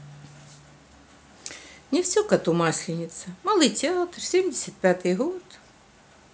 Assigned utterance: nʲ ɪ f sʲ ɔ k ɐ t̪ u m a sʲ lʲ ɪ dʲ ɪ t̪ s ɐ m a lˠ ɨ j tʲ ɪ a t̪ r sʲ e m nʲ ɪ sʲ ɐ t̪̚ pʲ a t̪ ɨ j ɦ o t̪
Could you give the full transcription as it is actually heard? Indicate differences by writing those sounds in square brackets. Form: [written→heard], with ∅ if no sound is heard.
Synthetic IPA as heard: nʲ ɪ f sʲ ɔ k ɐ t̪ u m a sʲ lʲ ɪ [dʲ→nʲ] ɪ t̪ s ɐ m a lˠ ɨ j tʲ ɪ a t̪ r sʲ e m [nʲ→dʲ] ɪ sʲ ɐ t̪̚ pʲ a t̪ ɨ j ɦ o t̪